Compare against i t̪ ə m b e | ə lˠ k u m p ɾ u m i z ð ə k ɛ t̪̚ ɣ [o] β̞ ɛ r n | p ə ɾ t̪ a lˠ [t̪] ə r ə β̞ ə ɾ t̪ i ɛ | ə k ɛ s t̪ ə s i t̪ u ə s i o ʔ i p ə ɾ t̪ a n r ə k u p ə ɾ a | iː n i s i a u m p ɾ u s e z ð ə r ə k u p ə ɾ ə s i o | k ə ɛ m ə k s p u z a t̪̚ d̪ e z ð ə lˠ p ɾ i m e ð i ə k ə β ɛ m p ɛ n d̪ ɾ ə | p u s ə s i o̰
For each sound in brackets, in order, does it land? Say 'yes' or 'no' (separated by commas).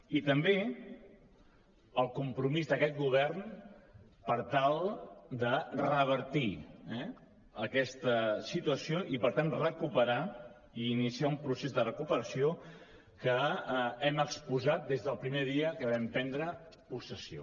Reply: no, no